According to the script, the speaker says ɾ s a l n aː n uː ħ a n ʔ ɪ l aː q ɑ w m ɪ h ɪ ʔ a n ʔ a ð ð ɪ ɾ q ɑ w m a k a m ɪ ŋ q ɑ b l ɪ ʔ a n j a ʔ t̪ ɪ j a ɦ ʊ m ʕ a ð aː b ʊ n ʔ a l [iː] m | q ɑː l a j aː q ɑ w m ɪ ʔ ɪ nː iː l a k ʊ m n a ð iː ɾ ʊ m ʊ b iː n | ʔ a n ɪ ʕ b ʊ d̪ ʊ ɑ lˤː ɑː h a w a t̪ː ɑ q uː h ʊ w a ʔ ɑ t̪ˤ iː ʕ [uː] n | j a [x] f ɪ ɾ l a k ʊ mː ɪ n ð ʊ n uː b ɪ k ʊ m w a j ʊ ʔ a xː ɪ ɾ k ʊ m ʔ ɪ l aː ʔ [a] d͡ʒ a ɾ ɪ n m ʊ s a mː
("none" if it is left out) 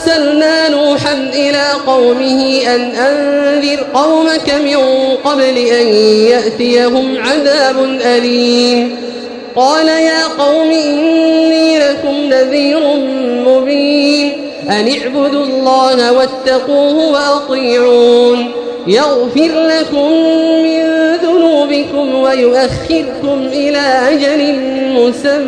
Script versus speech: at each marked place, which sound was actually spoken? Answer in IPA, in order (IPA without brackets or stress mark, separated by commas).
iː, uː, ɣ, a